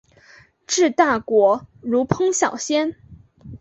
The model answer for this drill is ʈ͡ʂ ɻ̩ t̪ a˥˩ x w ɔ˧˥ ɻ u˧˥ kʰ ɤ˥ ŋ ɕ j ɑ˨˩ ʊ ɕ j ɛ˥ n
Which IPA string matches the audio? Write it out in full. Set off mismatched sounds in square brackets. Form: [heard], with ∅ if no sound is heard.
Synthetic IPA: ʈ͡ʂ ɻ̩ t̪ a˥˩ [k] w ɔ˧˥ ɻ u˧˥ [pʰ] ɤ˥ ŋ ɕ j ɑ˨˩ ʊ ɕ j ɛ˥ n